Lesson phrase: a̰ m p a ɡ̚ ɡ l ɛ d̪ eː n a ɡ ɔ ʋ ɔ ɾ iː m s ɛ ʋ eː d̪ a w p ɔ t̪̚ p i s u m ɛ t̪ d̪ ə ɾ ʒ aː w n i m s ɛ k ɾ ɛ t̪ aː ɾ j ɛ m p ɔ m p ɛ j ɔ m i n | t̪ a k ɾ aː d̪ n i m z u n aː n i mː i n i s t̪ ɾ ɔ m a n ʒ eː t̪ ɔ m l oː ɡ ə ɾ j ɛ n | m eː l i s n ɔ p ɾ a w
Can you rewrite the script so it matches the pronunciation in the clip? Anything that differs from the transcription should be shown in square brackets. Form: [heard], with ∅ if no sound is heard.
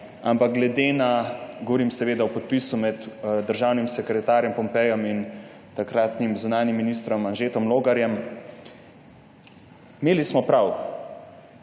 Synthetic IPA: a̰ m p a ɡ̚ ɡ l ɛ d̪ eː n a ɡ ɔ ʋ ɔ ɾ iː m s ɛ ʋ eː d̪ a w p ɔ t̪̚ p i s u m ɛ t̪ d̪ ə ɾ ʒ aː w n i m s ɛ k ɾ ɛ t̪ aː ɾ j ɛ m p ɔ m p ɛ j ɔ m i n | t̪ a k ɾ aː [t̪] n i m z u n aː n i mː i n i s t̪ ɾ ɔ m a n ʒ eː t̪ ɔ m l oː ɡ [a] ɾ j ɛ [m] | m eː l i s [m] ɔ p ɾ a w